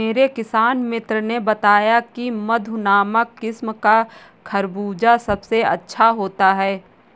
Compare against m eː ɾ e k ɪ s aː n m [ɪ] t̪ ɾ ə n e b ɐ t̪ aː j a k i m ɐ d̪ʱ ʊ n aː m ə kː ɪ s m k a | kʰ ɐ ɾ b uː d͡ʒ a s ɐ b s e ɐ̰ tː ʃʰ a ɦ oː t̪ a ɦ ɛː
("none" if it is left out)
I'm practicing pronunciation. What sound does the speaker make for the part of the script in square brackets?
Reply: ɪ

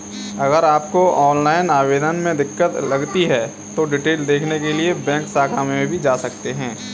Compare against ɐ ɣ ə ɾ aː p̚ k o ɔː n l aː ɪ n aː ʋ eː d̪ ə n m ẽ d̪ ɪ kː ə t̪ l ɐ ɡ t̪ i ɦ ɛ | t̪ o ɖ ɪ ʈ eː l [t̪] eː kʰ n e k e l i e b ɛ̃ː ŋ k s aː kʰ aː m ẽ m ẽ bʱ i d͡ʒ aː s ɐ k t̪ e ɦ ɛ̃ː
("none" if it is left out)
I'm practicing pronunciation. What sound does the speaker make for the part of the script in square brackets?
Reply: d̪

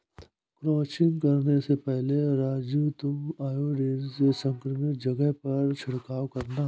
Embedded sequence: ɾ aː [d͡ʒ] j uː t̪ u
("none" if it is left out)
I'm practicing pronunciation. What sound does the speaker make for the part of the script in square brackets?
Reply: d͡ʒ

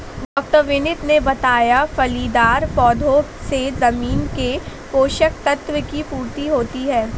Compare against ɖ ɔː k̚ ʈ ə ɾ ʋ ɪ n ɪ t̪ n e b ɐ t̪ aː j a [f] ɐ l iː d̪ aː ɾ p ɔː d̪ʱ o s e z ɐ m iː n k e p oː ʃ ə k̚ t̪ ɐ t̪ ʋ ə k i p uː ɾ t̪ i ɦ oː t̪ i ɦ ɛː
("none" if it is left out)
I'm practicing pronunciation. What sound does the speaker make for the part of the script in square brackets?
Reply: f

